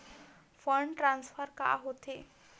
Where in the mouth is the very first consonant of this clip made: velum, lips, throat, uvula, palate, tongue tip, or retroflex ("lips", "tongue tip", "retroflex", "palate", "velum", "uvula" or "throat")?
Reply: lips